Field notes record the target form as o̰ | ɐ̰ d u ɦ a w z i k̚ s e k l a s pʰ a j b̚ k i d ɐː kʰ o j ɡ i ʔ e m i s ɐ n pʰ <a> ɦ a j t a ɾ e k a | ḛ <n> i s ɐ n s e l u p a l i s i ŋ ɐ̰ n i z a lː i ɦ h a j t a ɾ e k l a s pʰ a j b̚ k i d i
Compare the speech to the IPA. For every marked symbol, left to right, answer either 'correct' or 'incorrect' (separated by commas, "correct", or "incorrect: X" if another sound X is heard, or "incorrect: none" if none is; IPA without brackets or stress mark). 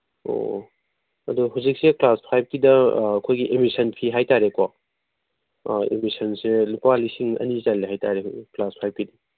incorrect: i, incorrect: m